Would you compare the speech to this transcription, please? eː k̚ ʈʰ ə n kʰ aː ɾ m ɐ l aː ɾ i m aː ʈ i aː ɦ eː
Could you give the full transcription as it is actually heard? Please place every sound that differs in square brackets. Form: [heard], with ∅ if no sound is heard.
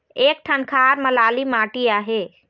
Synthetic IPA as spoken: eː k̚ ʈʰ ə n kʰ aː ɾ m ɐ l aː [l] i m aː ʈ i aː ɦ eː